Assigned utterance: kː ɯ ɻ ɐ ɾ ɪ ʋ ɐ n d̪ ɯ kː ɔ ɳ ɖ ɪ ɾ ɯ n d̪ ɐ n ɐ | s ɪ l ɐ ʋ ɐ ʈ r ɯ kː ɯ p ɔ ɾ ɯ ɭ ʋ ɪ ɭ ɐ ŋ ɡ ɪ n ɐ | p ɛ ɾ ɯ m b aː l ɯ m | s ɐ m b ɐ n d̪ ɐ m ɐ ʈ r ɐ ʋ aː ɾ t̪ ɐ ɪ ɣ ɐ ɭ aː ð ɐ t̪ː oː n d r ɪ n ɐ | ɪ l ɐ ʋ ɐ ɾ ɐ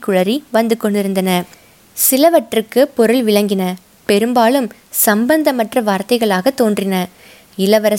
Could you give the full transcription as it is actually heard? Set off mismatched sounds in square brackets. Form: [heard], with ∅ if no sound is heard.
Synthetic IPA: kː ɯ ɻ ɐ ɾ [i] ʋ ɐ n d̪ ɯ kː ɔ ɳ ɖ ɪ ɾ ɯ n d̪ ɐ n ɐ | s ɪ l ɐ ʋ ɐ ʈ r ɯ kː ɯ p ɔ ɾ ɯ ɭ ʋ ɪ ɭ ɐ ŋ ɡ ɪ n ɐ | p ɛ ɾ ɯ m b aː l ɯ m | s ɐ m b ɐ n d̪ ɐ m ɐ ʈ r ɐ ʋ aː ɾ t̪ ɐ ɪ ɣ ɐ ɭ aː [ɣ] ɐ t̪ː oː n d r ɪ n ɐ | ɪ l ɐ ʋ ɐ ɾ ɐ